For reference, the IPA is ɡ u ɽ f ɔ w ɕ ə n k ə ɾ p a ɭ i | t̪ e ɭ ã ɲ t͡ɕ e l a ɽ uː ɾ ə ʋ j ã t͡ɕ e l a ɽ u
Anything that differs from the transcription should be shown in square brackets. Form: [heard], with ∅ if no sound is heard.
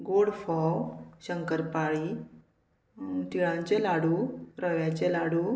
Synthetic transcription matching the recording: ɡ [o] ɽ f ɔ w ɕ ə [ŋ] k ə ɾ p a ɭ i | t̪ [i] ɭ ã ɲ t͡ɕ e l a ɽ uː ɾ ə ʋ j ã t͡ɕ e l a ɽ u